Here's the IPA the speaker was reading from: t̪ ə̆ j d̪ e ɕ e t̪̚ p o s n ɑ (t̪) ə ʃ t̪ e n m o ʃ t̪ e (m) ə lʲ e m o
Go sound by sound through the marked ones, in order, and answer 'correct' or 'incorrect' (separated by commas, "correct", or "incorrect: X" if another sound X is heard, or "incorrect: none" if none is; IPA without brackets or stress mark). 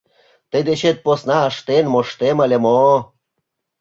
incorrect: none, correct